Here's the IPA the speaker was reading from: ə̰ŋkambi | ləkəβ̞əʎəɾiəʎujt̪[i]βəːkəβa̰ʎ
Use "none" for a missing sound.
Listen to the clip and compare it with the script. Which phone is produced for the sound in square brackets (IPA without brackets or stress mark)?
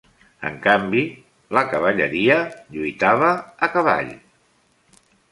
a